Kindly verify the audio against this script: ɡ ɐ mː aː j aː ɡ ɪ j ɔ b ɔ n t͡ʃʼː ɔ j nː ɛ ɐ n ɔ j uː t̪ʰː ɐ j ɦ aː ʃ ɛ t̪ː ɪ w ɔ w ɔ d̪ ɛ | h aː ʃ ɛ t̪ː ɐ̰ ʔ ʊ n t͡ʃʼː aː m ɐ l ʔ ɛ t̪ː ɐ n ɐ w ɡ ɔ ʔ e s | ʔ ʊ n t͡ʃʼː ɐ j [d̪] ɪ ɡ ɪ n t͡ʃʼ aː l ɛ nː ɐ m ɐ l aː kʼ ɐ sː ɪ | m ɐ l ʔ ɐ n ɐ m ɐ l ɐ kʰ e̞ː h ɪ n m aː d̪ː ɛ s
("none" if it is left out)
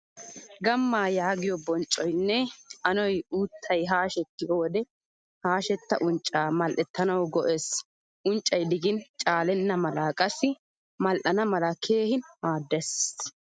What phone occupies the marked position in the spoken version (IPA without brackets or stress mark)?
d̪